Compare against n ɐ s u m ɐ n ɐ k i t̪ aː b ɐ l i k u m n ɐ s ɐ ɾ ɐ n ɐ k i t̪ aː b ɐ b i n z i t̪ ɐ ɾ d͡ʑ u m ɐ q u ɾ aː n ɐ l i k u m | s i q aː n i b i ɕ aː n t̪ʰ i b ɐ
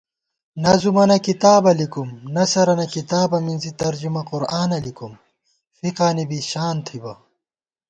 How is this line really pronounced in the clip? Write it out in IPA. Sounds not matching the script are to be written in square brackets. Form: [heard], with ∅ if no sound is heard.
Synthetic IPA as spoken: n ɐ [z] u m ɐ n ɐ k i t̪ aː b ɐ l i k u m n ɐ s ɐ ɾ ɐ n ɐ k i t̪ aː b ɐ [m] i n z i t̪ ɐ ɾ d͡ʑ u m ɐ q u ɾ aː n ɐ l i k u m | [f] i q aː n i b i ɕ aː n t̪ʰ i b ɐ